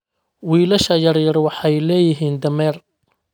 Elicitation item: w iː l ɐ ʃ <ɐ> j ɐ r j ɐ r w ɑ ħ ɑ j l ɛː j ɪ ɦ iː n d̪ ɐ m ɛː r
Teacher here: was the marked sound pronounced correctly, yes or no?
yes